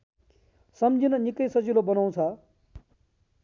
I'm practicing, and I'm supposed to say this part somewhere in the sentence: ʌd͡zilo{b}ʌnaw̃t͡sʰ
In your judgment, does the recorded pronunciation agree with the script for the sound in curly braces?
yes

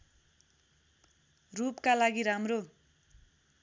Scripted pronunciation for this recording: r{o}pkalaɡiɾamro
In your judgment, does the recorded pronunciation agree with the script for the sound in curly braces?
no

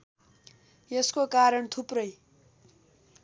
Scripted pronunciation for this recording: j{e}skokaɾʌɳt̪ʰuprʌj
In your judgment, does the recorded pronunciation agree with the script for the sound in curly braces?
yes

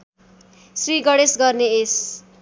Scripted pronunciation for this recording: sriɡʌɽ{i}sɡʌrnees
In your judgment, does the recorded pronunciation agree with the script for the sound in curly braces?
no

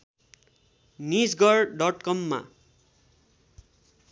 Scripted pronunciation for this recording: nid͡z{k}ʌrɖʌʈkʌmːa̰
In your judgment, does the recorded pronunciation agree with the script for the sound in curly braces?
no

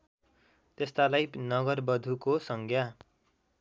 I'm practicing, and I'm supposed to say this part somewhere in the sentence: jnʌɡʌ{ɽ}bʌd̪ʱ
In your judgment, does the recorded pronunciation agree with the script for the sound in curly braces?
no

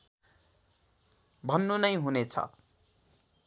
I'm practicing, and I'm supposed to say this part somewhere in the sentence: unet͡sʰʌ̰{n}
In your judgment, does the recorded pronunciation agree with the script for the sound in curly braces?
no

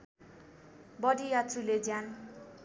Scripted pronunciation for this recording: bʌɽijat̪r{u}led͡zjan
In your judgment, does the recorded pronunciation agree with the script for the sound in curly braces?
yes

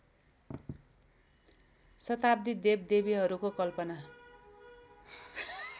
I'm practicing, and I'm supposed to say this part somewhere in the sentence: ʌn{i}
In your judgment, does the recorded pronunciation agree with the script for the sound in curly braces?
no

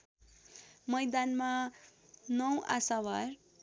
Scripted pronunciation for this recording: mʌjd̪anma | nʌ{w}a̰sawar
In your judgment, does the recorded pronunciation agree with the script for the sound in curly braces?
yes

